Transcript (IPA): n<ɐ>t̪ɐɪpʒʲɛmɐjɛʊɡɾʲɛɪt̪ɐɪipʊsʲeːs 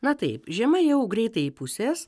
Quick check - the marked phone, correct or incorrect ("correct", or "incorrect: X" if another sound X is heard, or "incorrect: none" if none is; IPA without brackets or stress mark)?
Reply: correct